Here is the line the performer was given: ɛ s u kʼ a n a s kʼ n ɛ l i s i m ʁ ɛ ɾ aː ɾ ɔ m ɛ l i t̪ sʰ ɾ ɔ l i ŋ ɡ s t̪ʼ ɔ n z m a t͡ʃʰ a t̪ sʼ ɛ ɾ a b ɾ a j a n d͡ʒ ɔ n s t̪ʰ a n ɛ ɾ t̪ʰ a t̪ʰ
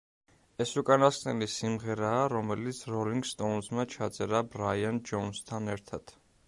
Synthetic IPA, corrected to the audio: ɛ s u kʼ a n a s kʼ n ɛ l i s i m ʁ ɛ ɾ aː ɾ ɔ m ɛ l i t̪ sʰ ɾ ɔ l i ŋ ɡ s t̪ʼ ɔ n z m a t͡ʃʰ a t̪ sʼ ɛ ɾ a b ɾ a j a n d͡ʒ ɔ n s t̪ʰ a n ɛ ɾ t̪ʰ a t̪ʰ